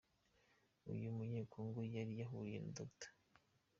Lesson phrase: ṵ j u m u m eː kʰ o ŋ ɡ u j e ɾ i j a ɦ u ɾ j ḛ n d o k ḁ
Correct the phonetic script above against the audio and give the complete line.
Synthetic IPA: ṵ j u m u ɲ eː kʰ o ŋ ɡ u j a ɾ i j a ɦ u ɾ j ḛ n d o t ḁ